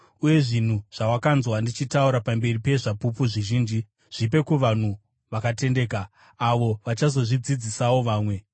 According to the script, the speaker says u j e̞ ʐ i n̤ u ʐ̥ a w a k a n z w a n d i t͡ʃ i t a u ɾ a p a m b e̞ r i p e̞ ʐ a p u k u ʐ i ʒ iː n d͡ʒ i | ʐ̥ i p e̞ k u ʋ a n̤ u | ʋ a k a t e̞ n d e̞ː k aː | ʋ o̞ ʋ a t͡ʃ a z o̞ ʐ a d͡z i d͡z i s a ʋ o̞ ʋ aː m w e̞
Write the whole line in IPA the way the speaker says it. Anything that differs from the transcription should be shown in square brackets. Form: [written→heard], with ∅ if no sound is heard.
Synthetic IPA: u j e̞ ʐ i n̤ u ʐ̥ a w a k a n z w a n d i t͡ʃ i t a u ɾ a p a m b e̞ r i p e̞ ʐ a p u [k→p] u ʐ i ʒ iː n d͡ʒ i | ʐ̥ i p e̞ k u ʋ a n̤ u | ʋ a k a t e̞ n d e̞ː k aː | ʋ o̞ ʋ a t͡ʃ a z o̞ ʐ [a→i] d͡z i d͡z i s a [ʋ→w] o̞ ʋ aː m w e̞